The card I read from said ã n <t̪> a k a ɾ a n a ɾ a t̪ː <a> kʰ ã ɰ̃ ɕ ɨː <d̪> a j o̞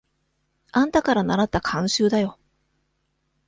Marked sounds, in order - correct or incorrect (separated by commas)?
correct, correct, correct